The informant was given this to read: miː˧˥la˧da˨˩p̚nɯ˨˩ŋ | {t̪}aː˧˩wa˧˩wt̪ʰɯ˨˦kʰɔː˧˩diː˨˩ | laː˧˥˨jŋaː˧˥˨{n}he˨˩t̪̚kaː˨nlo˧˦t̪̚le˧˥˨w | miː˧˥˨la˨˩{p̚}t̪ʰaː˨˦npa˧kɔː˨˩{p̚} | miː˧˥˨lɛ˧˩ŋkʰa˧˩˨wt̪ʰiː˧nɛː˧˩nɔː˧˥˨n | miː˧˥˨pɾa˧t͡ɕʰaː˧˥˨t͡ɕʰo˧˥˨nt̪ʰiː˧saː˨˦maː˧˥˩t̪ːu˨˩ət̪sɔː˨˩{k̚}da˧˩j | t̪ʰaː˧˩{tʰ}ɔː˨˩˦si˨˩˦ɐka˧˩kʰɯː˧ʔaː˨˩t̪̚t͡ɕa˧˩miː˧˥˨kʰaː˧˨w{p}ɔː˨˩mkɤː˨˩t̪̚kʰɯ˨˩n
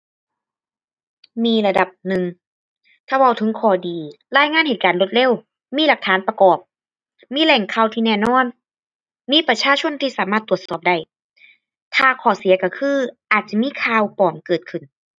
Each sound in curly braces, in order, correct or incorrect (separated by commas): incorrect, correct, incorrect, correct, incorrect, incorrect, correct